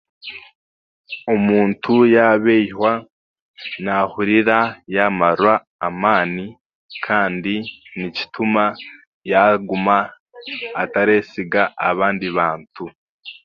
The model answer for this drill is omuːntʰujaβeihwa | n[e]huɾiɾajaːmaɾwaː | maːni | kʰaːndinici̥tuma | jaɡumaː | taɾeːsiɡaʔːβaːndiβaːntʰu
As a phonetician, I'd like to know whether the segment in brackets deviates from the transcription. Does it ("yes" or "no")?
yes